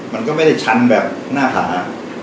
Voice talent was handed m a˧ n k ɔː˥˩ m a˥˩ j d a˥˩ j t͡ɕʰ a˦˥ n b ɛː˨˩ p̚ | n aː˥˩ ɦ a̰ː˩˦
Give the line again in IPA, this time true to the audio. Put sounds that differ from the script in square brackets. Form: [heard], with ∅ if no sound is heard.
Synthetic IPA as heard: m a˧ n k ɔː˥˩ m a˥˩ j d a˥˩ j t͡ɕʰ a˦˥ n b ɛː˨˩ p̚ | n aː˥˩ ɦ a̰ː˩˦